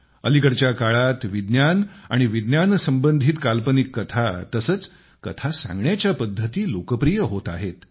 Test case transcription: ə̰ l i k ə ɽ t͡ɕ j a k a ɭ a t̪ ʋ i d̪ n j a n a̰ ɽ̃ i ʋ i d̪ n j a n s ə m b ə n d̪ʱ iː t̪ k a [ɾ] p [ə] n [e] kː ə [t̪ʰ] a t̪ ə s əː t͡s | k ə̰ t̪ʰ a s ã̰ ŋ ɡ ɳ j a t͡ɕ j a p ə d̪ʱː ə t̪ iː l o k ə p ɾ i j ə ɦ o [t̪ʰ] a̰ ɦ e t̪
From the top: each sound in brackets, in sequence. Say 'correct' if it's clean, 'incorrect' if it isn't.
incorrect: l, correct, incorrect: i, correct, incorrect: t̪

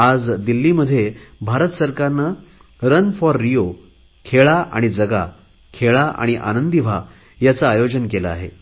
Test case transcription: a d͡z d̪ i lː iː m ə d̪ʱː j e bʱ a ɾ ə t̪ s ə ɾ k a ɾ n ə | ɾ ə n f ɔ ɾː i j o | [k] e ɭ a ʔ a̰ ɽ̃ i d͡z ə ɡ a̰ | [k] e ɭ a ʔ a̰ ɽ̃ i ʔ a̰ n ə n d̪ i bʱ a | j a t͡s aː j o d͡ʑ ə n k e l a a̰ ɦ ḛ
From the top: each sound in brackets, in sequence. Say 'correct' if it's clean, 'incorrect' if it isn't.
incorrect: kʰ, incorrect: kʰ

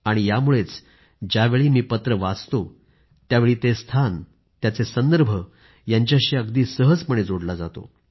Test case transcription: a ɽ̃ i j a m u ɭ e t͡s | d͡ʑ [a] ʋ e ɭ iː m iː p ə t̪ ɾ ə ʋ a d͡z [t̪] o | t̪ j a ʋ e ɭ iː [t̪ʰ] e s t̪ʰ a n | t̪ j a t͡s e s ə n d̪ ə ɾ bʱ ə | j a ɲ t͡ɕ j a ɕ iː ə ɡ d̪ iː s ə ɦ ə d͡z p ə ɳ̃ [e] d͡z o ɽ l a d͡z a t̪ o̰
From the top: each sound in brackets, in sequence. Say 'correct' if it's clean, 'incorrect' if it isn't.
correct, correct, incorrect: t̪, correct

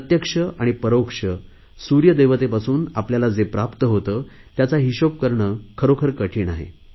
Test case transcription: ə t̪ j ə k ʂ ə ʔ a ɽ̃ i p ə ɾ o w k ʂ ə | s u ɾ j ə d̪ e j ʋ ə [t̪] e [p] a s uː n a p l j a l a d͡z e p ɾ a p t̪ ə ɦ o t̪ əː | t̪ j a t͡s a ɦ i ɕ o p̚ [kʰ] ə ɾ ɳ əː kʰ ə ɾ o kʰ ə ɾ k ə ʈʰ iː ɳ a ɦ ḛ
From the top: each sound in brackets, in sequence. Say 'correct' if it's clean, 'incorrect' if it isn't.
correct, correct, incorrect: k

